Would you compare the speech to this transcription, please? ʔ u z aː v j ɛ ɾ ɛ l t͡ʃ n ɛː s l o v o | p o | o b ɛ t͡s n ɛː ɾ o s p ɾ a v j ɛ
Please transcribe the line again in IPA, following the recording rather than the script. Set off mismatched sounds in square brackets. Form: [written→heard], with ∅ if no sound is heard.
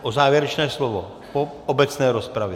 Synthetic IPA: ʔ [u→o] z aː v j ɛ ɾ ɛ [l→∅] t͡ʃ n ɛː s l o v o | p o | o b ɛ t͡s n ɛː ɾ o s p ɾ a v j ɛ